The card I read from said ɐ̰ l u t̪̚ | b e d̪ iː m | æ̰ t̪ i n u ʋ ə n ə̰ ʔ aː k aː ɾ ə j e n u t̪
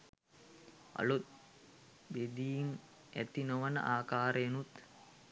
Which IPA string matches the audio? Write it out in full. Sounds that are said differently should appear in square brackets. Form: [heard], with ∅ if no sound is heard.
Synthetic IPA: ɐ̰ l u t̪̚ | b e d̪ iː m | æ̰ t̪ i n [o] ʋ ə n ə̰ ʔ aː k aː ɾ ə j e n u t̪

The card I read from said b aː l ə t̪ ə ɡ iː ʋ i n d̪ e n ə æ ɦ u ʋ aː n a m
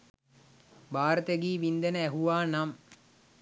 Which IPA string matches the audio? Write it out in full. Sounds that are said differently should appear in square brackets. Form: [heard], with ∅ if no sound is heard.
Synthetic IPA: b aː [ɾ] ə t̪ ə ɡ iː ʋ i n d̪ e n ə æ ɦ u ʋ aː n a m

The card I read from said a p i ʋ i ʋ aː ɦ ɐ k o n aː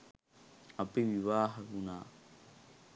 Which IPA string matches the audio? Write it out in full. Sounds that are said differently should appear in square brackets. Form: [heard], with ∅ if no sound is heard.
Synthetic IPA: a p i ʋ i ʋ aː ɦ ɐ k [u] n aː

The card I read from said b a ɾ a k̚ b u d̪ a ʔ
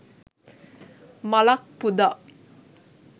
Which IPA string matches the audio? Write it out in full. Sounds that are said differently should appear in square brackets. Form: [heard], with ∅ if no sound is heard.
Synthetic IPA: [m] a [l] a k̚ [p] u d̪ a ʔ

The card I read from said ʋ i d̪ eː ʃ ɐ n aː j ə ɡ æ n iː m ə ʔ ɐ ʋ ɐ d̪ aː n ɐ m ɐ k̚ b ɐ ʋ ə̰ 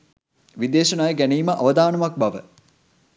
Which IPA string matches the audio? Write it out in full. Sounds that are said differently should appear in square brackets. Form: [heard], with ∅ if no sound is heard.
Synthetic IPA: ʋ i d̪ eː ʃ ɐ n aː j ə ɡ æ n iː m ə ʔ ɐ ʋ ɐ d̪ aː n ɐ m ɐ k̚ b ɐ ʋ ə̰

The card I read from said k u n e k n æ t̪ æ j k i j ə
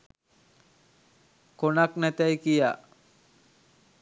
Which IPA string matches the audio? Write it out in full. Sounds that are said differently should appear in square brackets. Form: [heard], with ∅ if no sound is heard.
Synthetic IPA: k [o] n [a] k n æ t̪ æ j k i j [a]

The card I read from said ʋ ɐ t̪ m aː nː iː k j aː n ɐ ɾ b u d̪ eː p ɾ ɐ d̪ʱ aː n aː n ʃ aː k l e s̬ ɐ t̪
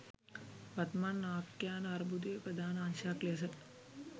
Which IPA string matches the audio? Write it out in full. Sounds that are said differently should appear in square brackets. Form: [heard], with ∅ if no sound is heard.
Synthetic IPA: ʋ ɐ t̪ m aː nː [aː] k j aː n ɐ ɾ b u d̪ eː p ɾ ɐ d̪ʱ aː n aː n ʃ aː k l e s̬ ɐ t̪

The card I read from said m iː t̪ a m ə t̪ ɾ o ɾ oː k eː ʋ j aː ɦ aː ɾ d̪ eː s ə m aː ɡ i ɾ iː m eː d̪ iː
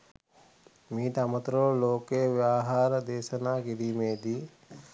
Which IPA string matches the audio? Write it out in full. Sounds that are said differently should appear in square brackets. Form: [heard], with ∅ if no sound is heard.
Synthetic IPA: m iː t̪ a m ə t̪ ɾ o [l] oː k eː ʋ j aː ɦ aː ɾ d̪ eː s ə [n] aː ɡ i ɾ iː m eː d̪ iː

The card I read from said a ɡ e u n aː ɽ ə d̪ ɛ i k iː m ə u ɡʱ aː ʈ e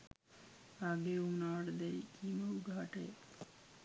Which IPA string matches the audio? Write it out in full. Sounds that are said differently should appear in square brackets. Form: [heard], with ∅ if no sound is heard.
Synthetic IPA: a ɡ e u n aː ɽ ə d̪ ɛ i k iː m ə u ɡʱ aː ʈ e

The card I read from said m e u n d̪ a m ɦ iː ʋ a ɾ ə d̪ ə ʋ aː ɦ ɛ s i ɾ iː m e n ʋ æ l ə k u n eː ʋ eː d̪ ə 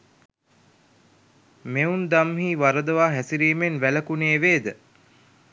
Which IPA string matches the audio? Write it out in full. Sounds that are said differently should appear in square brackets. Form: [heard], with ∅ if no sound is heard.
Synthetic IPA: m e u n d̪ a m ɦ iː ʋ a ɾ ə d̪ ə ʋ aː ɦ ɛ s i ɾ iː m e n ʋ æ l ə k u n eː ʋ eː d̪ ə

